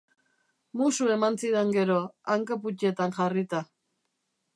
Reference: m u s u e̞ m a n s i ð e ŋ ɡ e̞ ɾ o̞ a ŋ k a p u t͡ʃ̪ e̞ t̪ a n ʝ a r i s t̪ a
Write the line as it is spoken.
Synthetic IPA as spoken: m u s u e̞ m a n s i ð e ŋ ɡ e̞ ɾ o̞ a ŋ k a p u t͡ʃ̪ e̞ t̪ a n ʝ a r i t̪ a